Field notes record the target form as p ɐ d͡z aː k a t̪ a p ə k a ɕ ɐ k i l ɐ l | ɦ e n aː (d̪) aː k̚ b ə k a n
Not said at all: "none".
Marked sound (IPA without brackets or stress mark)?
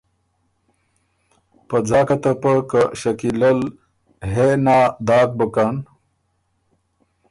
d̪